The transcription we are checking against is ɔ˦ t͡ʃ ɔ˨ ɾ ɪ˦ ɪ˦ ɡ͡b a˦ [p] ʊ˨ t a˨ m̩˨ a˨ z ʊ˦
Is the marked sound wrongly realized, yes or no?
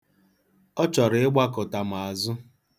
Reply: yes